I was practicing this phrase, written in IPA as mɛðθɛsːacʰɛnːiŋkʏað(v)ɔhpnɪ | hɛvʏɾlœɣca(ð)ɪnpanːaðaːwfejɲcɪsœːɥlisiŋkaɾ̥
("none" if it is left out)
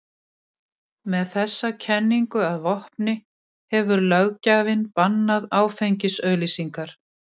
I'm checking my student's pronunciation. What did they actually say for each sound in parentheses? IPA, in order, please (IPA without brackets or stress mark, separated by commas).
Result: v, v